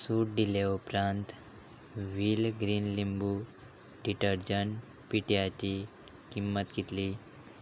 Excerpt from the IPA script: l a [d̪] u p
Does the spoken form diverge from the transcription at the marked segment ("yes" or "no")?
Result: yes